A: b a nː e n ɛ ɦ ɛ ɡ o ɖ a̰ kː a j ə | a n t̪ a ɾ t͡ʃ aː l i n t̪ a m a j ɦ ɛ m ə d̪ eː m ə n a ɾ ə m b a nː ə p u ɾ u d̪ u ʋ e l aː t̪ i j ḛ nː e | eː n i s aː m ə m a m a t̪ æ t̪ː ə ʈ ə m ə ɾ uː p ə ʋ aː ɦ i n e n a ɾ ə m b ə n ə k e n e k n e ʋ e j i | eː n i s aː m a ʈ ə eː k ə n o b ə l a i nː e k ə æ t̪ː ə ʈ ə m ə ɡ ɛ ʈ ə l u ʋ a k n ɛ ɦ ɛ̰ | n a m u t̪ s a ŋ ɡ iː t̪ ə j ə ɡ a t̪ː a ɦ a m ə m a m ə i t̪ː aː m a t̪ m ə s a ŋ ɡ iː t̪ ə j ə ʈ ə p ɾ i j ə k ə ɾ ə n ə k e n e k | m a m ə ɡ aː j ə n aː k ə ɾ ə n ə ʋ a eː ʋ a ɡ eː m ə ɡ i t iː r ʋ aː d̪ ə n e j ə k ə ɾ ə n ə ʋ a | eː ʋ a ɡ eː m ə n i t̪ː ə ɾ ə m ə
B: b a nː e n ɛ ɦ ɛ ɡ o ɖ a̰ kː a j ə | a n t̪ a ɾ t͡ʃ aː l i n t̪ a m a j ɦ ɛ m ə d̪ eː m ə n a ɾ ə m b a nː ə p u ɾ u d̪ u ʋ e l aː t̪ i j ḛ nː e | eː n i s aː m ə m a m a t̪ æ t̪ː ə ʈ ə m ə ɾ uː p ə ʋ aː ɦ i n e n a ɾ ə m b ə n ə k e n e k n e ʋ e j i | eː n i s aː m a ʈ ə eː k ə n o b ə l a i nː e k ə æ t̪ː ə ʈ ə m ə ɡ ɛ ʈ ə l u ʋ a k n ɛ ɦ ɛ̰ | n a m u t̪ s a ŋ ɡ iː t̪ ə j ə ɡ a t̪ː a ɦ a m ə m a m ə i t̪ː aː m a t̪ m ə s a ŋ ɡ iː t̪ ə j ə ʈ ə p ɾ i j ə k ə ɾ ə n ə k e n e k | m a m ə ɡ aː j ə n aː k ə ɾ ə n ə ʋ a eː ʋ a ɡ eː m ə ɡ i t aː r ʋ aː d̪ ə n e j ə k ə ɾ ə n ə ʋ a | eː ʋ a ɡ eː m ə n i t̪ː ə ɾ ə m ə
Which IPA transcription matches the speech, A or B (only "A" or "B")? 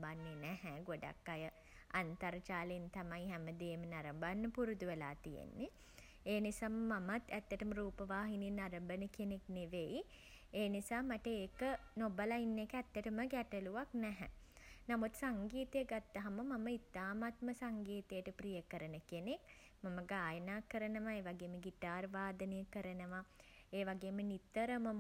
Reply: B